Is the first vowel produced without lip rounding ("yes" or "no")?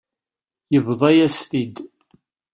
yes